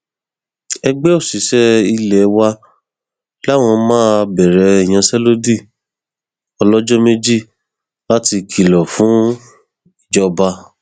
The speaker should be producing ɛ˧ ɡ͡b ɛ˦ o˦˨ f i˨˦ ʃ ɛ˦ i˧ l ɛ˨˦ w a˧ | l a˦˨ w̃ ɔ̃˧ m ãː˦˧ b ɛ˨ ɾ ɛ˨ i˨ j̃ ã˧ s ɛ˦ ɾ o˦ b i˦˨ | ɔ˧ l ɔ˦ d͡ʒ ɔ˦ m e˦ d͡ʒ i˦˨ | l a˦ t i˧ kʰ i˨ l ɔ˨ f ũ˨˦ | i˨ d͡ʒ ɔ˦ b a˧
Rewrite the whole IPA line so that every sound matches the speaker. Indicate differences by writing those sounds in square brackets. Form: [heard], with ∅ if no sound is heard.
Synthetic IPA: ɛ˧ ɡ͡b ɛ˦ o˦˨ [s] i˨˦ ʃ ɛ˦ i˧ l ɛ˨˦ w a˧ | l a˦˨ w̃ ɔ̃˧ m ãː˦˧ b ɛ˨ ɾ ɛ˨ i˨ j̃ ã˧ s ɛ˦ [l] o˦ [d] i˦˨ | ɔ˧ l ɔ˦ d͡ʒ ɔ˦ m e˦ d͡ʒ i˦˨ | l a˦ t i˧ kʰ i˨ l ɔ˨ f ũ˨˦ | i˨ d͡ʒ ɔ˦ b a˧